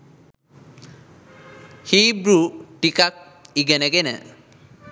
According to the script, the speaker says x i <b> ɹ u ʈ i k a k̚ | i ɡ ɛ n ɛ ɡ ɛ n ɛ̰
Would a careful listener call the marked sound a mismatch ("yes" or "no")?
no